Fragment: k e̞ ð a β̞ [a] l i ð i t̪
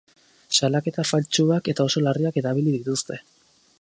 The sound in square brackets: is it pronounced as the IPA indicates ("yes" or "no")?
no